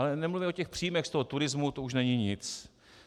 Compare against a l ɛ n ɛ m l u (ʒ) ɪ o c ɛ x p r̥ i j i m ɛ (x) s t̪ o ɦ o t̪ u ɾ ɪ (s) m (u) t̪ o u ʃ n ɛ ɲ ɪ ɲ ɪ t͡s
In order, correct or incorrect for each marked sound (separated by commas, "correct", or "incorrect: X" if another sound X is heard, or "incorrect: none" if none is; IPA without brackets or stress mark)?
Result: incorrect: v, correct, incorrect: z, correct